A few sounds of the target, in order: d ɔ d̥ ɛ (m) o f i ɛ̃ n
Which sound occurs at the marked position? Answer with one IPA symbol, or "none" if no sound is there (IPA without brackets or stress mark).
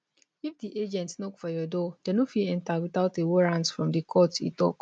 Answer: n